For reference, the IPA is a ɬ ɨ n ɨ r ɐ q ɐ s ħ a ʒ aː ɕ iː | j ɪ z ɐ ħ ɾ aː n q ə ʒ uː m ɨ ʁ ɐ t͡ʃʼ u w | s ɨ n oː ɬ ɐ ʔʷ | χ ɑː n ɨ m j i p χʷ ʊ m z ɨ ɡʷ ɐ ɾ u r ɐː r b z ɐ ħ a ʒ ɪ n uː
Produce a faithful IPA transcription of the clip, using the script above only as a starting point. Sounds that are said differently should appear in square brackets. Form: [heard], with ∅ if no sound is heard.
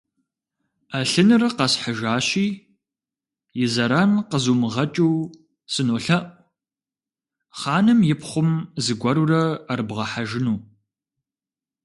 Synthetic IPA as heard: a ɬ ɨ n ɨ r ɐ q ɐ s ħ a ʒ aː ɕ iː | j ɪ z ɐ [∅] ɾ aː n q ə [z] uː m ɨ ʁ ɐ t͡ʃʼ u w | s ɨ n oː ɬ ɐ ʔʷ | χ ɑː n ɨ m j [ɪ] p χʷ ʊ m z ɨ ɡʷ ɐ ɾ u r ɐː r b [ʁ] ɐ ħ a ʒ ɪ n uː